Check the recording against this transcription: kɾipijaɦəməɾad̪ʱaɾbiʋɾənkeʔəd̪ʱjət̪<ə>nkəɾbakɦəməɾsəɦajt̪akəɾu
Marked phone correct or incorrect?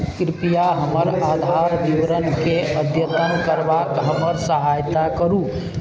correct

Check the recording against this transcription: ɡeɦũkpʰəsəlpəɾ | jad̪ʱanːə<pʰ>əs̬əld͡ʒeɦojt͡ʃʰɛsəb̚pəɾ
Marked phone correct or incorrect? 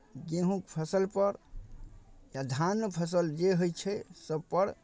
correct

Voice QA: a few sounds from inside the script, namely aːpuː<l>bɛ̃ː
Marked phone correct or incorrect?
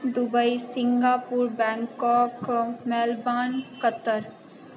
incorrect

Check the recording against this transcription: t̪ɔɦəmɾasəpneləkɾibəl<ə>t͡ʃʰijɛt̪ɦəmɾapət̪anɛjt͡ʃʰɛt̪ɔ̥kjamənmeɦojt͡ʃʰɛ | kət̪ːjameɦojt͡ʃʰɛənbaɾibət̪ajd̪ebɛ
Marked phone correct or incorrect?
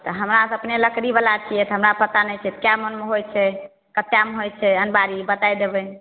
incorrect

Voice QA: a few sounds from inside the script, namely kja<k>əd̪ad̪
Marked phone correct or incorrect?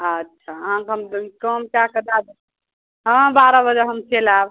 correct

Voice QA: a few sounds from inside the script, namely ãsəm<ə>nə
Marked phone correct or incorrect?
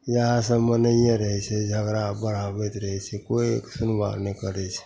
correct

